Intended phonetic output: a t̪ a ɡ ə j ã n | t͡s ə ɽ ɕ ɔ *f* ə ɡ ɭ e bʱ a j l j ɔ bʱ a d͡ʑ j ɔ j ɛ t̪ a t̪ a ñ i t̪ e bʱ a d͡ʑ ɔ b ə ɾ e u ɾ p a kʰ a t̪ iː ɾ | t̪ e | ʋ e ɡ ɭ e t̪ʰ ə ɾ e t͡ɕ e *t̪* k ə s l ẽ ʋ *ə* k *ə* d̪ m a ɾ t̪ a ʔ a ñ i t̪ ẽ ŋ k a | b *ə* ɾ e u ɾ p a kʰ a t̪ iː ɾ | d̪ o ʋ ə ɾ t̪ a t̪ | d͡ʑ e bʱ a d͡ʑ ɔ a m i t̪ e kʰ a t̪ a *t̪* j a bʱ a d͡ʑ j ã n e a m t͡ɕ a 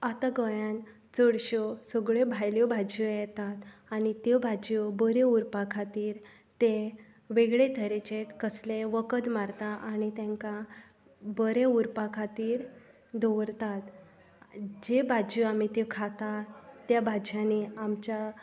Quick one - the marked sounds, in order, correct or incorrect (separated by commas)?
incorrect, correct, correct, correct, correct, correct